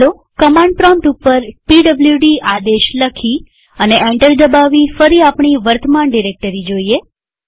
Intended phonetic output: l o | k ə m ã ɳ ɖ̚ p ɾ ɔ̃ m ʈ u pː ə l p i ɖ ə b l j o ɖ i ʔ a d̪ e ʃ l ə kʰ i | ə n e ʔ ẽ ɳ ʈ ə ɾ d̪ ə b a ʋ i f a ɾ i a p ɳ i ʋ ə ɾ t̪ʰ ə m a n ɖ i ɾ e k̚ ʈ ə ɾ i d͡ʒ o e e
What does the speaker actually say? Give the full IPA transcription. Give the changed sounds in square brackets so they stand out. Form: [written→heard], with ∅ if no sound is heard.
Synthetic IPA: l o | k ə m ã ɳ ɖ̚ p ɾ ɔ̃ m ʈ u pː ə [l→ɾ] p i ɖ ə b l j [o→u] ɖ i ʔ a d̪ e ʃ l ə kʰ i | ə n e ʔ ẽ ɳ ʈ ə ɾ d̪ ə b a ʋ i f [a→ə] ɾ i a p ɳ i ʋ ə ɾ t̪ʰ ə m a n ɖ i ɾ e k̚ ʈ ə ɾ i d͡ʒ o [e→i] e